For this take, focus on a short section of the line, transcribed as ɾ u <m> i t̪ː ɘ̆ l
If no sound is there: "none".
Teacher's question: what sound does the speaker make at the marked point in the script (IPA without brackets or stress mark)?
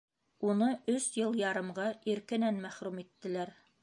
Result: m